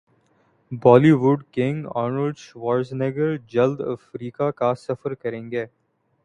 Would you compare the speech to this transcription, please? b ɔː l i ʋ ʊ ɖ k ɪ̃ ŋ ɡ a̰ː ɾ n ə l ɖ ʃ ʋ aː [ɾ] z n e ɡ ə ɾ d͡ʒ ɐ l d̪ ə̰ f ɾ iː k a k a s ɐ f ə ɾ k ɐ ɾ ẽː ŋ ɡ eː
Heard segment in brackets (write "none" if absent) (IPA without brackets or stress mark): ɾ